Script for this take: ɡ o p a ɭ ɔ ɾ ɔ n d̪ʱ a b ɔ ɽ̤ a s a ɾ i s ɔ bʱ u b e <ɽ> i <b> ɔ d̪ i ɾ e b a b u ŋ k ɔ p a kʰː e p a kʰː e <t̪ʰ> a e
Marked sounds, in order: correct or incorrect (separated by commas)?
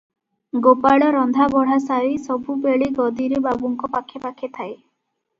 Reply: incorrect, incorrect, correct